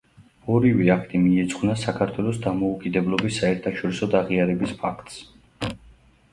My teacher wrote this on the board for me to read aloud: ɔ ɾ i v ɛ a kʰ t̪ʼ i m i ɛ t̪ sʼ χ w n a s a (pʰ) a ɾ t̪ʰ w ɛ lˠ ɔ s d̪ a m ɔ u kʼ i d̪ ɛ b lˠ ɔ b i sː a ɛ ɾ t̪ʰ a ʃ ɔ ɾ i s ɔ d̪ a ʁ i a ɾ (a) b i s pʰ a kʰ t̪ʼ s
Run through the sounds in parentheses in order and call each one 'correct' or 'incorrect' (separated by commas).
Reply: incorrect, incorrect